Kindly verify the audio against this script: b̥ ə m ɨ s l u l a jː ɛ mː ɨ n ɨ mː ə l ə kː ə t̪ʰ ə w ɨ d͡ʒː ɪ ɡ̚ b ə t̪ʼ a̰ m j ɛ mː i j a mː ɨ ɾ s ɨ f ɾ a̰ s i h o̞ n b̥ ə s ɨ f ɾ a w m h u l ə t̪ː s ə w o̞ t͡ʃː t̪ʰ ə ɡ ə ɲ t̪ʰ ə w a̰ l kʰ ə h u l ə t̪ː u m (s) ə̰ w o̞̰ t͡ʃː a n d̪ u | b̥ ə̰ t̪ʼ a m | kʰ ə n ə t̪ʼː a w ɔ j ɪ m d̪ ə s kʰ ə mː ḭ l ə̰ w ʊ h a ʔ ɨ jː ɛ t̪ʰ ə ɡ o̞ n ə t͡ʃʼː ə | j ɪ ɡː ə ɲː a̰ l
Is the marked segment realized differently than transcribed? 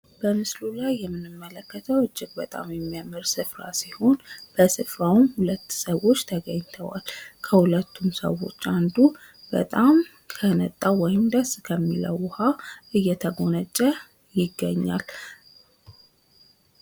no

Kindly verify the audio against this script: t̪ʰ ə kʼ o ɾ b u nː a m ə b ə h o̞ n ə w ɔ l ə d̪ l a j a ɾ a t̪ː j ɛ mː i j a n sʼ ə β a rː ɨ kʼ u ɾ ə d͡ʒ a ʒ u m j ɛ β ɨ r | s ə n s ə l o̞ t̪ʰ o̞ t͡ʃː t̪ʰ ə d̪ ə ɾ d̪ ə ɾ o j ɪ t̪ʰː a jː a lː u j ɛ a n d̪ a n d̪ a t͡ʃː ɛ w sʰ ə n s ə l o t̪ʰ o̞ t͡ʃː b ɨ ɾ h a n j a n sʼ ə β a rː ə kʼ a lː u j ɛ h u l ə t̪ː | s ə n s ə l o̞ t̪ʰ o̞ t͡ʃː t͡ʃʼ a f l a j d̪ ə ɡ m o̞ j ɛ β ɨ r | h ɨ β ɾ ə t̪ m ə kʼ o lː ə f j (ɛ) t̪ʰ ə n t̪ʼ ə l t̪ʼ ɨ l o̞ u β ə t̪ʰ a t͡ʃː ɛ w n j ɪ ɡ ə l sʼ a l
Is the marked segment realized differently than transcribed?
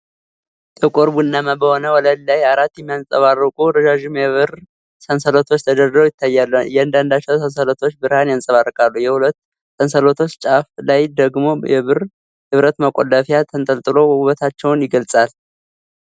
yes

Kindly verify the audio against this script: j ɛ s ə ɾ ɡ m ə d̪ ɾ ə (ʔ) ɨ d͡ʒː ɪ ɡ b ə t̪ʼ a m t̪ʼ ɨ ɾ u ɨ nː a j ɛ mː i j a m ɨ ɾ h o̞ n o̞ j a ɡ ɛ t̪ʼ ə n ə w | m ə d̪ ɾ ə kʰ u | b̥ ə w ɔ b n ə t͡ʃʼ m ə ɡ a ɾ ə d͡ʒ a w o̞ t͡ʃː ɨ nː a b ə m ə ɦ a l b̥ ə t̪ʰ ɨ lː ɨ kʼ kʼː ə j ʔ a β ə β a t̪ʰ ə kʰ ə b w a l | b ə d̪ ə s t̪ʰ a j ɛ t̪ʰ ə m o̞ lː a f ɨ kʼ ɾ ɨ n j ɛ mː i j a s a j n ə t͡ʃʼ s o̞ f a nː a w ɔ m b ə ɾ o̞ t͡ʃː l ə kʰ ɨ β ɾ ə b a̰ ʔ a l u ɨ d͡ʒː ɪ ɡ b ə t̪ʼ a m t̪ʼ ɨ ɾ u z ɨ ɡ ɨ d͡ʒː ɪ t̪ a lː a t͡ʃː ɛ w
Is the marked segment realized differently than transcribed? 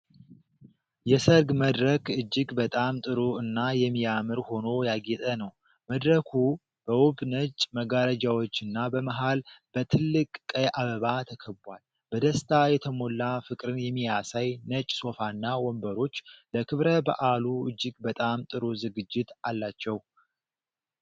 yes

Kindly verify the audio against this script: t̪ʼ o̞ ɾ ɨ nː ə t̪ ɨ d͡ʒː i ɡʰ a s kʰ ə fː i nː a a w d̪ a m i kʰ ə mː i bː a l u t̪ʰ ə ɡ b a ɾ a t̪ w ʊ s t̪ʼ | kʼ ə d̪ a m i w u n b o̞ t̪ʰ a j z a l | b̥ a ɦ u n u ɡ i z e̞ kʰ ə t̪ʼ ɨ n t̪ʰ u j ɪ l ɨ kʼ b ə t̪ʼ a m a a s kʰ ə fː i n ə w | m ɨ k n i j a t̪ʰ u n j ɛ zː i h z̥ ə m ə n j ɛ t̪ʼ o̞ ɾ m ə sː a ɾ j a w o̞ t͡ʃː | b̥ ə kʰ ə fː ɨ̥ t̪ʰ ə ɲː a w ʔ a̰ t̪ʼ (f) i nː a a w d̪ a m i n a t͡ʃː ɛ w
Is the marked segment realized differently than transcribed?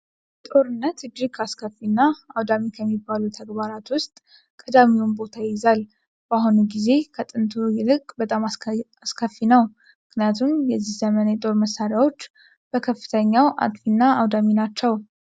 no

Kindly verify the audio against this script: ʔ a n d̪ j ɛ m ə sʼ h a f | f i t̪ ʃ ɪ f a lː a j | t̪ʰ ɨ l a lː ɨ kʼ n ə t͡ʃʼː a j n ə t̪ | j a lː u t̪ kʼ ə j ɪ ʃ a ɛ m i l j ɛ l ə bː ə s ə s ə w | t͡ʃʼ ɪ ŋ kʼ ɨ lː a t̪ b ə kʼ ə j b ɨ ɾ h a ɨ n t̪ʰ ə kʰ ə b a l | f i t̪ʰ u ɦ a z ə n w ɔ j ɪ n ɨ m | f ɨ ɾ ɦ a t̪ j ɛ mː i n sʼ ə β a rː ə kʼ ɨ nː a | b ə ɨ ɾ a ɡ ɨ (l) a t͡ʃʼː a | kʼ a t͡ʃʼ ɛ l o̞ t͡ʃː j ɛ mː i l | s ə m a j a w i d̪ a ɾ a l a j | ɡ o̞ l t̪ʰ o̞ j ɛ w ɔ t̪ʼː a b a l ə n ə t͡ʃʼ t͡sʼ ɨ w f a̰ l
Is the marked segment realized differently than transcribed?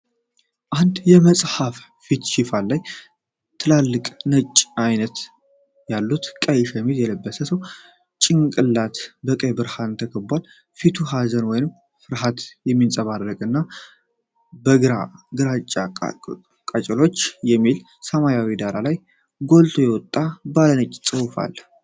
yes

